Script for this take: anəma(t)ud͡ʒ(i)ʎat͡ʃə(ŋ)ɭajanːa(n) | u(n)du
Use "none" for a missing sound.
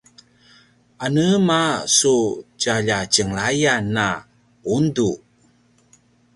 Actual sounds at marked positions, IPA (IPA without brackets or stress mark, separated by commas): s, a, ŋ, none, n